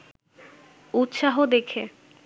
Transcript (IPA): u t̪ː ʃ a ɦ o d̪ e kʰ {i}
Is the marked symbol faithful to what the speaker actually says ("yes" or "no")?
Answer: no